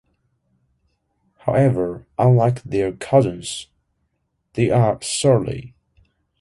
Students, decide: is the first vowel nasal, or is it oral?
oral